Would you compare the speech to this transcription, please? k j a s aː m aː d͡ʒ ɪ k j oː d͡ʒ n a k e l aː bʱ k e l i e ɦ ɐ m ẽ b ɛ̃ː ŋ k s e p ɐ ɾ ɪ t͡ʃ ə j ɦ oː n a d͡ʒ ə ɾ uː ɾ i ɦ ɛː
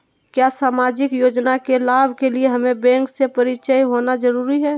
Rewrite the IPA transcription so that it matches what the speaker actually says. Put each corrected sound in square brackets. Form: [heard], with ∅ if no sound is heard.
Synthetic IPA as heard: k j a s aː m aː d͡ʒ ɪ k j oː d͡ʒ n a k e l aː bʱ k e l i e ɦ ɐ m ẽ b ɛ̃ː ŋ k s e p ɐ ɾ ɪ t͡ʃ ə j ɦ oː n a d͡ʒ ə ɾ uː ɾ i ɦ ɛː